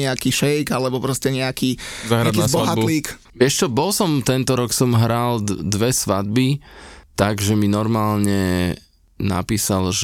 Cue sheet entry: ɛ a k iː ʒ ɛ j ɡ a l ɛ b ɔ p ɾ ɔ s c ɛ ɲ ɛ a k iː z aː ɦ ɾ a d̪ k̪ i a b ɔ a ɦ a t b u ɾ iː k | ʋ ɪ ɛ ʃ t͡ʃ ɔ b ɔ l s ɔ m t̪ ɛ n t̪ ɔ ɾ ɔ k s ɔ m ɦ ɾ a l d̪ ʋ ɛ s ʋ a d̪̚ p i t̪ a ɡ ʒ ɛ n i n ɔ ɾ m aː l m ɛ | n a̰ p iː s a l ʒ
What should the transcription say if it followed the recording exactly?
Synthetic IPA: ɛ a k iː ʃ ɛ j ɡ a l ɛ b ɔ p ɾ ɔ s c ɛ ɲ ɛ a k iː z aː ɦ ɾ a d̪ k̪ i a b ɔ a ɦ a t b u l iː k | ʋ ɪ ɛ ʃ t͡ʃ ɔ b ɔ l s ɔ m t̪ ɛ n t̪ ɔ ɾ ɔ k s ɔ m ɦ ɾ a l d̪ ʋ ɛ s ʋ a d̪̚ b i t̪ a ɡ ʒ ɛ m i n ɔ ɾ m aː l ɲ ɛ | n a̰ p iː s a l ʒ